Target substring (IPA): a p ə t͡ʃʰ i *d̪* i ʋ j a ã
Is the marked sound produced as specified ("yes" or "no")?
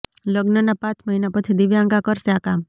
yes